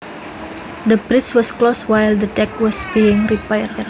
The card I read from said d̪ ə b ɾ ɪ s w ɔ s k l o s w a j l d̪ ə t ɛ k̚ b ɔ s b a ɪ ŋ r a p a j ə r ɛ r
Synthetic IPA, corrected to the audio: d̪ ə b ɾ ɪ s w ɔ s k l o s w a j l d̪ ə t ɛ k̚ w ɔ s b i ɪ ŋ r i p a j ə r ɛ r

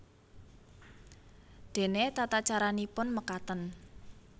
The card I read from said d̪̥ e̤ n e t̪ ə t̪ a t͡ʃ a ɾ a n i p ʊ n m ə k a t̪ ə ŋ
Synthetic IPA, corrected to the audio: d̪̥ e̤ n e t̪ a t̪ a t͡ʃ a ɾ a n i p ʊ n m ə k a t̪ ə n

